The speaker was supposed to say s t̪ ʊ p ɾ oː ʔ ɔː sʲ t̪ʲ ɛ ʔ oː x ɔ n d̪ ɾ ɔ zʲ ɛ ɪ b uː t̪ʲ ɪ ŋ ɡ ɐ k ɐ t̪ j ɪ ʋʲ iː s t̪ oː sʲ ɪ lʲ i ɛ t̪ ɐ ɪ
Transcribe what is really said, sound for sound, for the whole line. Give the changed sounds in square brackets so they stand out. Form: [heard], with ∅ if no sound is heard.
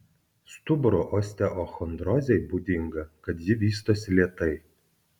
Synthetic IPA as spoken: s t̪ ʊ [b] ɾ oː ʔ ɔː sʲ t̪ʲ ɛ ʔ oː x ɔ n d̪ ɾ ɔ zʲ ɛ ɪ b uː [d̪ʲ] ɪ ŋ ɡ ɐ k ɐ t̪ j ɪ ʋʲ iː s t̪ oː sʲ ɪ lʲ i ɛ t̪ ɐ ɪ